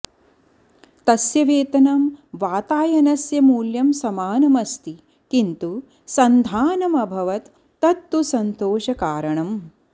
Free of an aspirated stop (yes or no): yes